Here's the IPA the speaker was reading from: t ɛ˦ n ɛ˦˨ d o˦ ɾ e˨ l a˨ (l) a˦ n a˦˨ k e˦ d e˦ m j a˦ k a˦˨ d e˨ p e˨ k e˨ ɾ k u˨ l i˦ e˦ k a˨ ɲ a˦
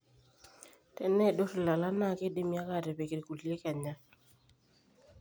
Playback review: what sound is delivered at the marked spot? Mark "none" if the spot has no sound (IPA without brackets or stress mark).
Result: l